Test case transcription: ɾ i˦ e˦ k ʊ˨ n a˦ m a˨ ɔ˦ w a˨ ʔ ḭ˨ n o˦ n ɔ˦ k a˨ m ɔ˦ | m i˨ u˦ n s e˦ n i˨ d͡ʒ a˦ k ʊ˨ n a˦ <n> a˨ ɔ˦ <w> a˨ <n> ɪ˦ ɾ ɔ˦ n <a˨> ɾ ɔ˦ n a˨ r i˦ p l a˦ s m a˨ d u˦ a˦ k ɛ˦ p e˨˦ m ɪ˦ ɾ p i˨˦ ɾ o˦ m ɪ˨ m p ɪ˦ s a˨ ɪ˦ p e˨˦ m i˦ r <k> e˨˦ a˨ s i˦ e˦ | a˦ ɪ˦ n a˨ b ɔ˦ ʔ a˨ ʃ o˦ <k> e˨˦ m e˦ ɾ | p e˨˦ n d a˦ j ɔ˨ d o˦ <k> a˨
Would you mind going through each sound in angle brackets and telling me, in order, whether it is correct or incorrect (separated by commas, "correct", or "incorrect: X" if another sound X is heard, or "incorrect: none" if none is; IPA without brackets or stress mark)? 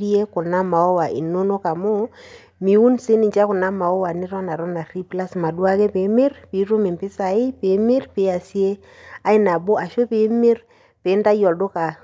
incorrect: m, correct, correct, correct, incorrect: p, incorrect: p, correct